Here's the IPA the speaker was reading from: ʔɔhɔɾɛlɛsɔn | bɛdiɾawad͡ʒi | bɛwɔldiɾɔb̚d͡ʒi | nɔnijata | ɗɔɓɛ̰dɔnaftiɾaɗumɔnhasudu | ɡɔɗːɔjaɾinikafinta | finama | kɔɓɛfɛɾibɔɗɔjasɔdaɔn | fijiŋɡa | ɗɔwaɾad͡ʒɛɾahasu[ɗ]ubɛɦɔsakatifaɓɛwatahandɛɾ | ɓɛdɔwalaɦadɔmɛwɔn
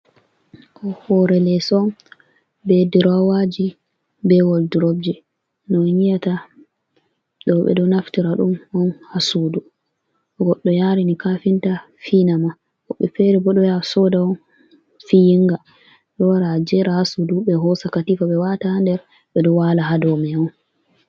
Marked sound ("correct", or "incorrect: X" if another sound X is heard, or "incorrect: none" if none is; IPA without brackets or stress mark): incorrect: d